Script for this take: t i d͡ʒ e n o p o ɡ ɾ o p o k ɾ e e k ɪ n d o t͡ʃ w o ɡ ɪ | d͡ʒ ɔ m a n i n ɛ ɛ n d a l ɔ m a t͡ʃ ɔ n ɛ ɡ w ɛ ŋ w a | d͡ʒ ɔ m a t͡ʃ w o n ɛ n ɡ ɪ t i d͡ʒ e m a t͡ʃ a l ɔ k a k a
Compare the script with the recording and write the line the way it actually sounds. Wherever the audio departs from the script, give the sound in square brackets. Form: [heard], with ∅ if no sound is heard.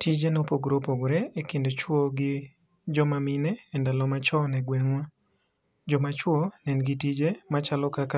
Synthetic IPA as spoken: t i d͡ʒ e n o p o ɡ ɾ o p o [ɡ] ɾ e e k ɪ n d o t͡ʃ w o ɡ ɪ | d͡ʒ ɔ m a [m] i n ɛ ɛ n d a l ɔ m a t͡ʃ ɔ n ɛ ɡ w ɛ ŋ w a | d͡ʒ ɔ m a t͡ʃ w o n ɛ n ɡ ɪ t i d͡ʒ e m a t͡ʃ a l ɔ k a k a